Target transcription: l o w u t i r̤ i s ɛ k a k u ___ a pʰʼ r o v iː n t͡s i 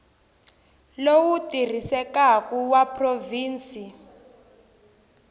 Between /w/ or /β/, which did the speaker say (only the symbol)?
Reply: w